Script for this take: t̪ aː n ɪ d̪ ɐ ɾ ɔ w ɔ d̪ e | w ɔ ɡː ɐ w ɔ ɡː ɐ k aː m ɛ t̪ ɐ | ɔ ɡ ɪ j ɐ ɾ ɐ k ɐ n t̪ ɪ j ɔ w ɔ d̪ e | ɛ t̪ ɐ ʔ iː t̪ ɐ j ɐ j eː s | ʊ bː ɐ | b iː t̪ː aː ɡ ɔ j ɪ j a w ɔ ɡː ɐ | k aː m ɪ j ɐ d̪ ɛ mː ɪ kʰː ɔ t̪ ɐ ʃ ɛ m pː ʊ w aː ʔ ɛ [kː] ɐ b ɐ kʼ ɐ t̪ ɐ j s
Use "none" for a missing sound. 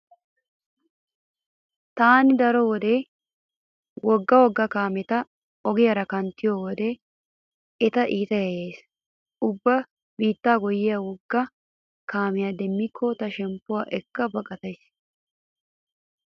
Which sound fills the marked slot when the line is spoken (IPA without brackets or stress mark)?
kː